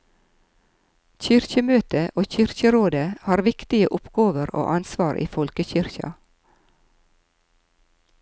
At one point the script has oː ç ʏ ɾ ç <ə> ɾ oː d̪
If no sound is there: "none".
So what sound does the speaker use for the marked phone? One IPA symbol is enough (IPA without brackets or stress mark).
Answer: ə